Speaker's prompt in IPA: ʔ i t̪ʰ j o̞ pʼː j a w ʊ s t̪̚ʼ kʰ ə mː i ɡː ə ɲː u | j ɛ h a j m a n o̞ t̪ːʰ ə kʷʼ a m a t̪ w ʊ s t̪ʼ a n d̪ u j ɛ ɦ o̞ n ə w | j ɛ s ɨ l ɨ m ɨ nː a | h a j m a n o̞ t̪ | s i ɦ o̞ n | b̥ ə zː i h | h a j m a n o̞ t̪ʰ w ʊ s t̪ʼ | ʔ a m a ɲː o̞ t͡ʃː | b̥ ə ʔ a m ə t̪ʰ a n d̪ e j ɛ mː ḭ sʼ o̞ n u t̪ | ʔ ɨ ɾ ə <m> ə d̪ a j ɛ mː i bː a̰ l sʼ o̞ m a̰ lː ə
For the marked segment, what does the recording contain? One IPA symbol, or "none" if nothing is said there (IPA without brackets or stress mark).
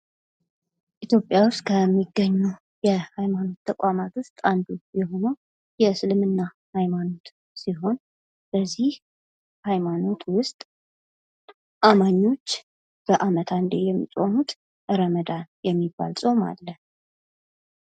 m